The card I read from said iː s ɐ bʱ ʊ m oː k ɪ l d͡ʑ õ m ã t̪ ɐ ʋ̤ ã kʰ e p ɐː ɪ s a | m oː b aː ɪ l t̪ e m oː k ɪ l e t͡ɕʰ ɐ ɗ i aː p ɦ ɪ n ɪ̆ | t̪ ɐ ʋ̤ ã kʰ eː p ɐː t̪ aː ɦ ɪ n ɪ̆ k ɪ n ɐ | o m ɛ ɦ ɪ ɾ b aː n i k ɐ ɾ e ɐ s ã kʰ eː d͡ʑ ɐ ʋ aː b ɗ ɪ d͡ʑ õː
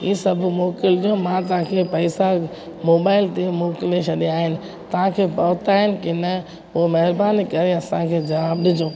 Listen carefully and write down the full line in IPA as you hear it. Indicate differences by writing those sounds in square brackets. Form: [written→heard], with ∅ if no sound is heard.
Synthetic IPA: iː s ɐ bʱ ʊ m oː k ɪ l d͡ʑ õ m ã t̪ ɐ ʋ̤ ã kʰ e p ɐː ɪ s a | m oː b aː ɪ l t̪ e m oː k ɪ l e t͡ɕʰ ɐ ɗ i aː [p→∅] ɦ ɪ n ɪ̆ | t̪ ɐ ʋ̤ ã kʰ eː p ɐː t̪ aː ɦ ɪ n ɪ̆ k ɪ n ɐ | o m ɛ ɦ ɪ ɾ b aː n i k ɐ ɾ e ɐ s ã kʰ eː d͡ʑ ɐ ʋ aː b ɗ ɪ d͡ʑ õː